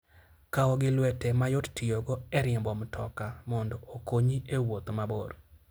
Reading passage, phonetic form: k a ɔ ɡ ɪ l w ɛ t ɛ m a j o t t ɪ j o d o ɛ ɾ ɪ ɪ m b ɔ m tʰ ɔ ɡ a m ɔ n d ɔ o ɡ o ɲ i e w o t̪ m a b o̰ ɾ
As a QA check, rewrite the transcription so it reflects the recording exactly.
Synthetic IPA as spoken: k a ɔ ɡ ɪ l w ɛ t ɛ m a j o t t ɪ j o ɡ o ɛ ɾ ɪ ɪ m b ɔ m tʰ ɔ k a m ɔ n d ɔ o k o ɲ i e w o t̪ m a b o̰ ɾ